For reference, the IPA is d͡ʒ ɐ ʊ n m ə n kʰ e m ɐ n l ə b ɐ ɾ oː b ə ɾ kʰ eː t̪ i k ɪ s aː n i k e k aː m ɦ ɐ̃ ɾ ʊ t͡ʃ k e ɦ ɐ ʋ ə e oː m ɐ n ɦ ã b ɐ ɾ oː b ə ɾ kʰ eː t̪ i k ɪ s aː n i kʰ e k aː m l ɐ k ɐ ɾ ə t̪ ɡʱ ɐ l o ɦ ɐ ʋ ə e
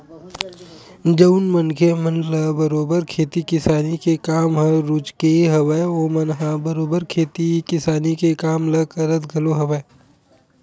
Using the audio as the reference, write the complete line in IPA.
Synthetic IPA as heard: d͡ʒ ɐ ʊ n m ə n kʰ e m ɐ n l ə b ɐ ɾ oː b ə ɾ kʰ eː t̪ i k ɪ s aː n i k e k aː m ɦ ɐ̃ ɾ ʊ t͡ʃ k e ɦ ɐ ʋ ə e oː m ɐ n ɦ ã b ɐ ɾ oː b ə ɾ kʰ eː t̪ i k ɪ s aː n i k e k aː m l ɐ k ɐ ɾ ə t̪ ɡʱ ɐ l o ɦ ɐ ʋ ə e